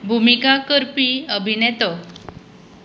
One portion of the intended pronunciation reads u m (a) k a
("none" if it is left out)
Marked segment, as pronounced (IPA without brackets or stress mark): i